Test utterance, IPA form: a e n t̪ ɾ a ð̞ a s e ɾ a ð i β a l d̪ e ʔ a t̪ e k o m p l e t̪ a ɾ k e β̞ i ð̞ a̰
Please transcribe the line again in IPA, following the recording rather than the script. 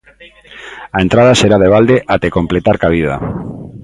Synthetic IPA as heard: a e n t̪ ɾ a ð̞ a s e ɾ a ð e β a l d̪ e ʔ a t̪ e k o m p l e t̪ a ɾ k a β̞ i ð̞ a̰

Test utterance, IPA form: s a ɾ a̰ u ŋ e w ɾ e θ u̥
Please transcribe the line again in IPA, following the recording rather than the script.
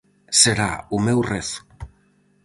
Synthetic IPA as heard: s e ɾ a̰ u m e w r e θ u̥

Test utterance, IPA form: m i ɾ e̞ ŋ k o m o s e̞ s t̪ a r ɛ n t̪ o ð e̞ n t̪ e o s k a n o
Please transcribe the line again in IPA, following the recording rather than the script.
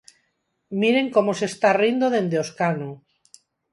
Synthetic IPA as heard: m i ɾ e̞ ŋ k o m o s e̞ s t̪ a r i n d̪ o ð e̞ n d̪ e o s k a n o

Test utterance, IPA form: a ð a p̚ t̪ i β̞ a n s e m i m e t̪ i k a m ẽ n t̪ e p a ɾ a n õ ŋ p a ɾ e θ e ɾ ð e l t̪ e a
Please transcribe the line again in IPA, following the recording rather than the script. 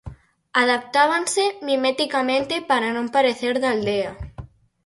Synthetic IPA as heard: a ð a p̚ t̪ a β̞ a n s e m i m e t̪ i k a m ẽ n t̪ e p a ɾ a n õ m p a ɾ e θ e ɾ ð a l d̪ e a

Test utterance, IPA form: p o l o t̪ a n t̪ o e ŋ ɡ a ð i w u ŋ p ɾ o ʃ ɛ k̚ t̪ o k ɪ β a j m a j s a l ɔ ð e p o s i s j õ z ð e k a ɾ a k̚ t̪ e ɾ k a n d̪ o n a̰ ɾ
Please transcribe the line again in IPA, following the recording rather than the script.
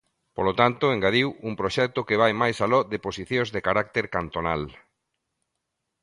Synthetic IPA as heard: p o l o t̪ a n t̪ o e ŋ ɡ a ð i w u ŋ p ɾ o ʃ ɛ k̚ t̪ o k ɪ β a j m a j s a l ɔ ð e p o s i θ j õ z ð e k a ɾ a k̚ t̪ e ɾ k a n t̪ o n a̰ l

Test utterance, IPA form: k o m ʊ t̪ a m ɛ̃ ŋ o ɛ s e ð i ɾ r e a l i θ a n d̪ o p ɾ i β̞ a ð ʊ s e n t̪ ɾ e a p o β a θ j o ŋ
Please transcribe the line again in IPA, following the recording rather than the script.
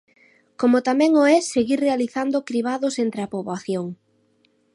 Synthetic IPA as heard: k o m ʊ t̪ a m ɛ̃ ŋ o ɛ s e ɣ i ɾ r e a l i θ a n d̪ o k ɾ i β̞ a ð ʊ s e n t̪ ɾ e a p o β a θ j o ŋ

